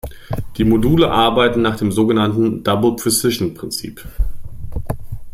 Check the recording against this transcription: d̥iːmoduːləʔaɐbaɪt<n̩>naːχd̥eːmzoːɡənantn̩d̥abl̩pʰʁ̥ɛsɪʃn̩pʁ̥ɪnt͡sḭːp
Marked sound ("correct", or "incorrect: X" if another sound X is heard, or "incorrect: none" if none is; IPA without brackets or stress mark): correct